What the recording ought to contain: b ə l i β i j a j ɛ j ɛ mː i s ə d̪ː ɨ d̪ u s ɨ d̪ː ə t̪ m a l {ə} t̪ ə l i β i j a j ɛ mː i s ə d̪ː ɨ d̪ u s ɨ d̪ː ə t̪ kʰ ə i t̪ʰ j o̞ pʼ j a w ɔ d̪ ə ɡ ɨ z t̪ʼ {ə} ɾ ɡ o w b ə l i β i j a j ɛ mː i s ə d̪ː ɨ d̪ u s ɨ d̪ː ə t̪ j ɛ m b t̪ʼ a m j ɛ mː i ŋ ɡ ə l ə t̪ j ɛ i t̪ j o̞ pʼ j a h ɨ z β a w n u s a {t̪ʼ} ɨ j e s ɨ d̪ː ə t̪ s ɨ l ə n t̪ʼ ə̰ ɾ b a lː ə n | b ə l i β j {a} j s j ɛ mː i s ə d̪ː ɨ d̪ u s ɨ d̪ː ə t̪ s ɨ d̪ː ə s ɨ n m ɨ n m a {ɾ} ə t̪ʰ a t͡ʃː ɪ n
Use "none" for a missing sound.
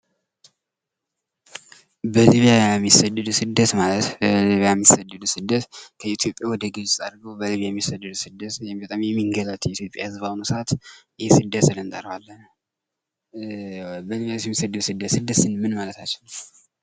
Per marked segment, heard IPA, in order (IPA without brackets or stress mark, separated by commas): ə, a, t̪, a, l